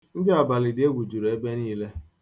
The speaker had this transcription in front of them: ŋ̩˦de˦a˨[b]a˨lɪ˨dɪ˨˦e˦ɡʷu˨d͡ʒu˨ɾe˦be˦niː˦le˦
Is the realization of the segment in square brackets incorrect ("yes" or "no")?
no